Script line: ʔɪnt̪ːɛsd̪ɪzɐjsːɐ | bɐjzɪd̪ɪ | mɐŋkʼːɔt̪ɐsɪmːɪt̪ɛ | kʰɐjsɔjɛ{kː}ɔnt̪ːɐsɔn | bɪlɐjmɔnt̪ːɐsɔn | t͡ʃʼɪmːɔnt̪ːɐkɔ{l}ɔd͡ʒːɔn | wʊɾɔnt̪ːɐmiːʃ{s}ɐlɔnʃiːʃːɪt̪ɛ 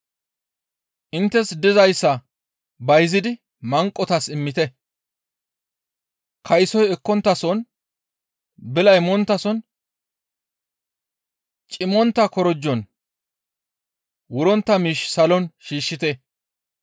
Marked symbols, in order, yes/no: yes, no, yes

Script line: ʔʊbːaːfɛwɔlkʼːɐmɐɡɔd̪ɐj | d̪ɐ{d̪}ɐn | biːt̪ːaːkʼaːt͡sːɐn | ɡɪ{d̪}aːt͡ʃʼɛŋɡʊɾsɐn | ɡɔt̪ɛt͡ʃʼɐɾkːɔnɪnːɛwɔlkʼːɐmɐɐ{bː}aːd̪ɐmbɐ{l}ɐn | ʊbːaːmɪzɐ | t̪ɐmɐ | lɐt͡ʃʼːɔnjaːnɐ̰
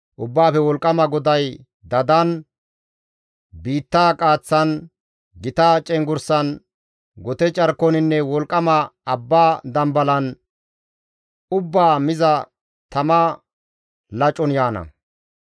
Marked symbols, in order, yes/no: yes, no, yes, yes

